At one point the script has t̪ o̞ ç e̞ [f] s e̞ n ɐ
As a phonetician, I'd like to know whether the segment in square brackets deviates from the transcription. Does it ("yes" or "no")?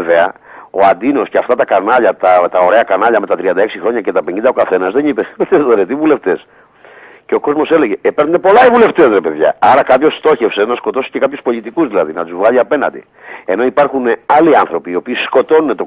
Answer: no